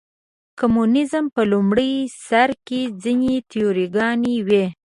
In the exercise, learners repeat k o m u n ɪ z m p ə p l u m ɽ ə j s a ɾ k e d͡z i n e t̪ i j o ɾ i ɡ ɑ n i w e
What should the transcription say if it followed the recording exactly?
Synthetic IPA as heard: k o m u n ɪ z m p ə l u m ɽ ə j s a ɾ k e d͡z i n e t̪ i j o ɾ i ɡ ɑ n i w e